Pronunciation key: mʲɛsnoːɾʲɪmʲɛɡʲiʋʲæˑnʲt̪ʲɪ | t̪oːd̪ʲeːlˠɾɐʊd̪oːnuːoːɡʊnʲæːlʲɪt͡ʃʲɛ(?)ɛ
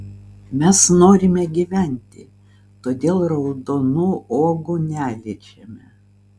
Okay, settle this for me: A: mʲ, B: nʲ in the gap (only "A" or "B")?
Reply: A